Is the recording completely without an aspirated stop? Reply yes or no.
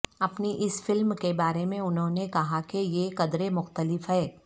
yes